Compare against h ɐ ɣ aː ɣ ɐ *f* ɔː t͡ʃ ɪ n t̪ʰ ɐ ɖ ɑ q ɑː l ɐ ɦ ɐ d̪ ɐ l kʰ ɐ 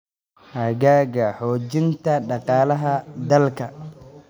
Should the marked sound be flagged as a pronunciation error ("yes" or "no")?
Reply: yes